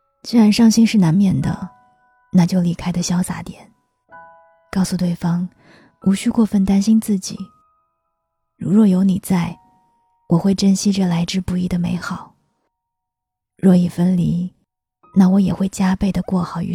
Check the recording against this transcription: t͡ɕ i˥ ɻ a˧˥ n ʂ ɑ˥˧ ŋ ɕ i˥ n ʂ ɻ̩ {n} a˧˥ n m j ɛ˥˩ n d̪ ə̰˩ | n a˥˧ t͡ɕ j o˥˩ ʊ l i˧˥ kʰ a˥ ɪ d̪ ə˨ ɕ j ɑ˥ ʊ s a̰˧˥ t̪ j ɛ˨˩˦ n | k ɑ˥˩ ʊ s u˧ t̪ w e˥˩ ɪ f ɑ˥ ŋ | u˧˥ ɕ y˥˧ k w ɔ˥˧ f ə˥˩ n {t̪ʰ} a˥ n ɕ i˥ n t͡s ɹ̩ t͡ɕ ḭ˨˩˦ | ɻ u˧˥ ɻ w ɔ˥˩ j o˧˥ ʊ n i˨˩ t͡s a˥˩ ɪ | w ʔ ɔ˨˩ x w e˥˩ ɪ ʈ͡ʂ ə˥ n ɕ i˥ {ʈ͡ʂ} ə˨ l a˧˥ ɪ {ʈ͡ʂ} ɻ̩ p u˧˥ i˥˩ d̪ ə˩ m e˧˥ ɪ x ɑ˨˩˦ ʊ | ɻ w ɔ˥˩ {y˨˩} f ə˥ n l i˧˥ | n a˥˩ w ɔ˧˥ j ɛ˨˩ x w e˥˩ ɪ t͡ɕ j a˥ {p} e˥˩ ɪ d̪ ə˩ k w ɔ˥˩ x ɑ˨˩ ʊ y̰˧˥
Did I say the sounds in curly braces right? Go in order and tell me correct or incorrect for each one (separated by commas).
correct, incorrect, correct, correct, incorrect, correct